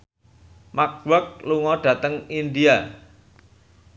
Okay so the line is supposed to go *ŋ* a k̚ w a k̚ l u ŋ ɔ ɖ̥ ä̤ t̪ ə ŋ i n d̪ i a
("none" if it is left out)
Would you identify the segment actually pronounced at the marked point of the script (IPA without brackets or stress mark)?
m